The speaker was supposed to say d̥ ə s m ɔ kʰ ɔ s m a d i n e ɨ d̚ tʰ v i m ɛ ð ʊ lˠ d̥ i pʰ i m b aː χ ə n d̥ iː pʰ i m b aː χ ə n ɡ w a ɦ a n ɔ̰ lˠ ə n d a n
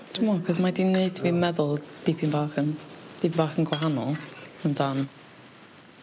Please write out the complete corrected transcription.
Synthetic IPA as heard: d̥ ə m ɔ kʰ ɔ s m a d i n e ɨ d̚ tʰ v i m ɛ ð ʊ lˠ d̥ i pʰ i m b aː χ ə n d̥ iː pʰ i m b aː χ ə n ɡ w a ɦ a n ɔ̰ lˠ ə n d a n

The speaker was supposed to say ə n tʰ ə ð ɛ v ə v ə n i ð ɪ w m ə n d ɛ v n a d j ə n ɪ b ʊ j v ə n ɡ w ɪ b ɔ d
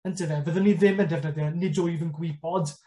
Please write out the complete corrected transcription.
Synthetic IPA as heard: ə n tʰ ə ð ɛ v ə ð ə n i ð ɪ m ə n d ɛ v n ə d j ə n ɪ d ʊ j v ə n ɡ w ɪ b ɔ d

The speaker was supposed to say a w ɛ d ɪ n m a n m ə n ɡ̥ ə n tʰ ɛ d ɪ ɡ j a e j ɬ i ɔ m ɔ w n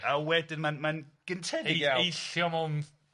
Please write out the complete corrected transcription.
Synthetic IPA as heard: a w ɛ d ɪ n m a n m a n ɡ̥ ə n tʰ ɛ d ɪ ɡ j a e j ɬ j ɔ m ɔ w n

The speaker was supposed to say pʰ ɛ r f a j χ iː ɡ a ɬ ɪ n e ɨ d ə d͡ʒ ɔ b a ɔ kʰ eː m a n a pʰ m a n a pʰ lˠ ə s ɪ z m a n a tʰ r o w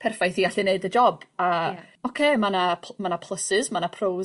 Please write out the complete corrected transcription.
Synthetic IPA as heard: pʰ ɛ r f a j θ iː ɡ a ɬ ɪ n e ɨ d ə d͡ʒ ɔ b a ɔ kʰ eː m a n a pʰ m a n a pʰ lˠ ə s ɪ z m a n a pʰ r o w

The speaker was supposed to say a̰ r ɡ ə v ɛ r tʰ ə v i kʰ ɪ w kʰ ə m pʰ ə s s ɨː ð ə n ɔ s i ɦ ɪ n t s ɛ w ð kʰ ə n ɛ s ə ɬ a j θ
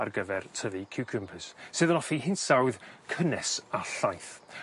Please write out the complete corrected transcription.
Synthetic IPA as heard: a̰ r ɡ ə v ɛ r tʰ ə v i kʰ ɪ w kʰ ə m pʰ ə s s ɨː ð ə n ɔ f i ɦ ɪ n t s a w ð kʰ ə n ɛ s a ɬ a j θ

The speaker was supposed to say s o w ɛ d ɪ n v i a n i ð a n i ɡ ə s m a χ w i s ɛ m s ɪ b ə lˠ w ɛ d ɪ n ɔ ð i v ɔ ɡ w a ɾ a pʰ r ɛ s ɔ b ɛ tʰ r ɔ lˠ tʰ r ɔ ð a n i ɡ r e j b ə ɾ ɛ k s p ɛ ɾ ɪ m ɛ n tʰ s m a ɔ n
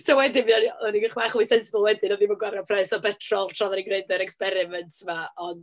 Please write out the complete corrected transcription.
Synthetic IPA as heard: s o w ɛ d ɪ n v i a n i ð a n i ɡ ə χ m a χ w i s ɛ n s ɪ b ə lˠ w ɛ d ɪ n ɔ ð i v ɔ ɡ w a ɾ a pʰ r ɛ s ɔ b ɛ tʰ r ɔ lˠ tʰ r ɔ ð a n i ɡ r e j d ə ɾ ɛ k s p ɛ ɾ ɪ m ɛ n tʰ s m a ɔ n

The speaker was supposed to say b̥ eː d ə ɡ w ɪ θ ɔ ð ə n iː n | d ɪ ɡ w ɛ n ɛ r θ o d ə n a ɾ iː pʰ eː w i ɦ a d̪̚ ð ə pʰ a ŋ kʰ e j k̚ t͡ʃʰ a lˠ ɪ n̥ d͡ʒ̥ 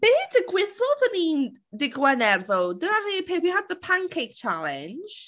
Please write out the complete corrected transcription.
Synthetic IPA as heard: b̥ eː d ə ɡ w ɪ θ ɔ ð ə n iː n | d ɪ ɡ w ɛ n ɛ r ð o d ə n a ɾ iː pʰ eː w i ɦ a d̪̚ ð ə pʰ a ŋ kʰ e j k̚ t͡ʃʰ a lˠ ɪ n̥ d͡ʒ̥

